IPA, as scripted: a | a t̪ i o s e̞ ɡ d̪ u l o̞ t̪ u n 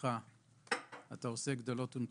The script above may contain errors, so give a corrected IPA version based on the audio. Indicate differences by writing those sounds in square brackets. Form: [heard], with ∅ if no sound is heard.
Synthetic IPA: a | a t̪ [a] o s e̞ ɡ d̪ [o] l o̞ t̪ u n